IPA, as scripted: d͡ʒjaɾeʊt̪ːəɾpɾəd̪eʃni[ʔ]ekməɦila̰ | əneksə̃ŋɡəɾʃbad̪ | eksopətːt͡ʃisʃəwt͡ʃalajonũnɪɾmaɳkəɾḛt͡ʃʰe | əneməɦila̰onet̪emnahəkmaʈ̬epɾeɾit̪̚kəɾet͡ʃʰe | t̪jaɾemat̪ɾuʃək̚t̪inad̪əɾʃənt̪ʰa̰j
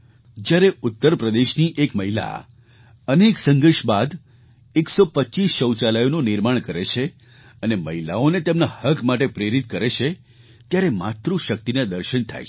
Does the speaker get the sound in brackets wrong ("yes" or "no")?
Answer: no